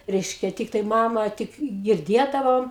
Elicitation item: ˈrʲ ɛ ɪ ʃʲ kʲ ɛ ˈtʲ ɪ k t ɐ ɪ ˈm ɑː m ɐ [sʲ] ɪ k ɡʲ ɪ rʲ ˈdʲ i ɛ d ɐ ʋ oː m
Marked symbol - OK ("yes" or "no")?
no